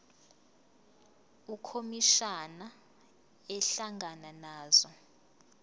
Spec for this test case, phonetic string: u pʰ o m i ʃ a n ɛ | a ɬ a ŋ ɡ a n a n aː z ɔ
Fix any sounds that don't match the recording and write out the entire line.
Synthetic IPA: u kʰ o m i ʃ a n a | ɛ ɬ a ŋ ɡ a n a n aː z ɔ